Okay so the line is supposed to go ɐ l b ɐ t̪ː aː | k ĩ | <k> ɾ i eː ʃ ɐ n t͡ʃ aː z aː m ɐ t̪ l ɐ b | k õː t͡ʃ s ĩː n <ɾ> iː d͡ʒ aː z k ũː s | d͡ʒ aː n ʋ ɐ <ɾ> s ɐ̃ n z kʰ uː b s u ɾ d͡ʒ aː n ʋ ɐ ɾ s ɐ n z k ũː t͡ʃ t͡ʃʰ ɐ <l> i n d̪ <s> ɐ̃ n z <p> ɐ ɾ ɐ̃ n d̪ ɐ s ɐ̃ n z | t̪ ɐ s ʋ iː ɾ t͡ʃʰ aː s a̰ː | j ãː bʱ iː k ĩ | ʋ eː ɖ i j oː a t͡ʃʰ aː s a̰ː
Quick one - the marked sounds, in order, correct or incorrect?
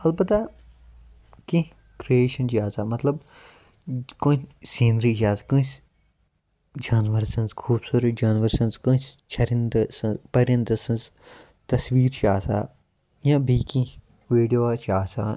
correct, correct, correct, incorrect, correct, correct

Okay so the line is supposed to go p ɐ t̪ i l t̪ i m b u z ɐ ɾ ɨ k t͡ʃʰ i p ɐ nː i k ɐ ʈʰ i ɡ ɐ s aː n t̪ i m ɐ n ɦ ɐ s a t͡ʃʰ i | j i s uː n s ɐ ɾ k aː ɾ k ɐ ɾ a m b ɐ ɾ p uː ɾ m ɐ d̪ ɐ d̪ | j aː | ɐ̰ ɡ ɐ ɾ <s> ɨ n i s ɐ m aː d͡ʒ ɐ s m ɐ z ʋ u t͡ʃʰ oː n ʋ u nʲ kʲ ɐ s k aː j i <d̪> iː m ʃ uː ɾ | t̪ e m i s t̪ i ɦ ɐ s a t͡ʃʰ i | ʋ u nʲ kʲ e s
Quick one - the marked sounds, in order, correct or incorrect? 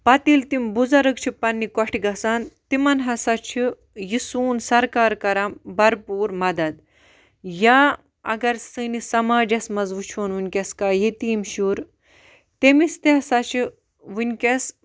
correct, incorrect

